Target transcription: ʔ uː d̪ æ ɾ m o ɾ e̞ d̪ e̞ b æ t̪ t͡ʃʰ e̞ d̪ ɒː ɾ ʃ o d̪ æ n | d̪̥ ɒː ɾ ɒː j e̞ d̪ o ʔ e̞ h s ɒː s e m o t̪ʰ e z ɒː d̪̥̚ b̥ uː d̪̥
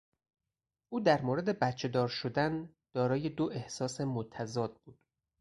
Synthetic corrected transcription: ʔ uː d̪ æ ɾ m o ɾ e̞ d̪ e̞ b æ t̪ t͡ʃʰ e̞ d̪ ɒː ɾ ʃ o d̪ æ n | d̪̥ ɒː ɾ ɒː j e̞ d̪ o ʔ e̞ h s ɒː s e m o t̪ʰ æ z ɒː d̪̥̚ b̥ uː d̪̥

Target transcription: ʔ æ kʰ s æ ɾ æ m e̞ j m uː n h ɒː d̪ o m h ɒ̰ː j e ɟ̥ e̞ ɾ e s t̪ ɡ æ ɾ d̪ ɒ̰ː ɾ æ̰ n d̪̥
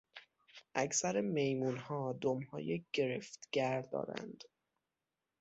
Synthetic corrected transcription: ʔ æ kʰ s æ ɾ e m e̞ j m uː n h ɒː d̪ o m h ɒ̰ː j e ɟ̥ e̞ ɾ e f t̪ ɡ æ ɾ d̪ ɒ̰ː ɾ æ̰ n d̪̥

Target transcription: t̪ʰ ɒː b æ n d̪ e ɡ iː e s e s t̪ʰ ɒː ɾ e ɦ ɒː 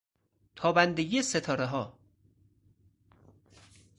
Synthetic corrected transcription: t̪ʰ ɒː b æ n d̪ e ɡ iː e s e t̪ʰ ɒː ɾ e ɦ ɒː

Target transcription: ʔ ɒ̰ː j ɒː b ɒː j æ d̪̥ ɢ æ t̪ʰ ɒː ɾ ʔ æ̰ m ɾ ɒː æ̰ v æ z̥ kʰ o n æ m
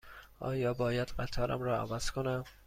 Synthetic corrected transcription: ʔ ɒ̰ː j ɒː b ɒː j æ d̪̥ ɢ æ t̪ʰ ɒː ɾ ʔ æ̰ m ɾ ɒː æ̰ v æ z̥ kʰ o n æ m

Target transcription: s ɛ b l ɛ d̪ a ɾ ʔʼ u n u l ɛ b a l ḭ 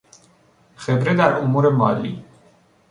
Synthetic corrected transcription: χ ɛ b ɾ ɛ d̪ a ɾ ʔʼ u m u ɾ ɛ m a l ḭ

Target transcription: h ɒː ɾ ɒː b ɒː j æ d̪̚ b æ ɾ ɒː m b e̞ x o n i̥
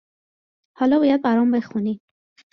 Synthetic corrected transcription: h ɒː l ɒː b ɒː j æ d̪̚ b æ ɾ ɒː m b e̞ x u n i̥

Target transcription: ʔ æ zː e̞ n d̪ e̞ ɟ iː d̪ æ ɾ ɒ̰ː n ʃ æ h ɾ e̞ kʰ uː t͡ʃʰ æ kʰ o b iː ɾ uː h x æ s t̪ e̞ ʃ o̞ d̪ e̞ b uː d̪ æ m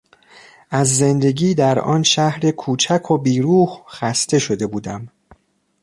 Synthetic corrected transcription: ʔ æ zː e̞ n d̪ e̞ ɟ iː d̪ æ ɾ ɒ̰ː n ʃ æ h ɾ e̞ kʰ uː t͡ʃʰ æ kʰ o b iː ɾ uː h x æ s t̪ e̞ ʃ o̞ d̪ e̞ b uː d̪ æ m

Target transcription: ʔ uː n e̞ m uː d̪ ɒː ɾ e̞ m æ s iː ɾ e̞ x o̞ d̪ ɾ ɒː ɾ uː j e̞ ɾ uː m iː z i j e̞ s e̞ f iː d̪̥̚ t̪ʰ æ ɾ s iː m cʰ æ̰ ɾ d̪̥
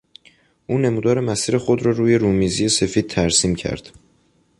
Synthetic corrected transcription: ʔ uː n e̞ m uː d̪ ɒː ɾ e̞ m æ s iː ɾ e̞ x o̞ d̪ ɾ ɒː ɾ uː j e̞ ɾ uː m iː z i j e̞ s e̞ f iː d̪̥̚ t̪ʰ æ ɾ s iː m cʰ æ̰ ɾ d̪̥

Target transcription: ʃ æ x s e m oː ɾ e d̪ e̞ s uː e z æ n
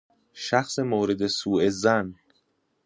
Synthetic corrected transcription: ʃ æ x s e m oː ɾ e d̪ e̞ s uː e z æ n

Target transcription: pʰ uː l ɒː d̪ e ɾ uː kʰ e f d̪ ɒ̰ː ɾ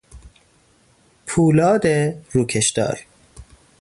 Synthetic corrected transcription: pʰ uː l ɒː d̪ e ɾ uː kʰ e ʃ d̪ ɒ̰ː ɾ

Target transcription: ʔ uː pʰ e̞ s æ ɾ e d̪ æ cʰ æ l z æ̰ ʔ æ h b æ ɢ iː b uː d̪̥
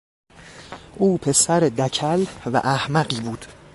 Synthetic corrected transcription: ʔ uː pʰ e̞ s æ ɾ e d̪ æ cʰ æ l v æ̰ ʔ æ h m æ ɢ iː b uː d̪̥

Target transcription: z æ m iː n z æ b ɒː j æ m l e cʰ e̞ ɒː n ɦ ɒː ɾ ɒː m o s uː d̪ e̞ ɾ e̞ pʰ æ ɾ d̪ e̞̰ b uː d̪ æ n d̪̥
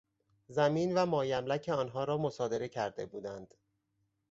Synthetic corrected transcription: z æ m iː n v æ m ɒː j æ m l æ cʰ e̞ ɒː n ɦ ɒː ɾ ɒː m o s ɒː d̪ e̞ ɾ e̞ cʰ æ ɾ d̪ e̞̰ b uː d̪ æ n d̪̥

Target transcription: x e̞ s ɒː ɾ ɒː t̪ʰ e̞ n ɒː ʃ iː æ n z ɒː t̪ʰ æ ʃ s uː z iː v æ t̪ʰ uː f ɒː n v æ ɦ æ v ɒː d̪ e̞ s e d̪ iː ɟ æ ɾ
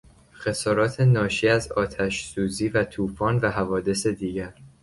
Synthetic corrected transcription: x e̞ s ɒː ɾ ɒː t̪ʰ e̞ n ɒː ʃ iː æ z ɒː t̪ʰ æ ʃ s uː z iː v æ t̪ʰ uː f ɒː n v æ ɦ æ v ɒː d̪ e̞ s e d̪ iː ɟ æ ɾ

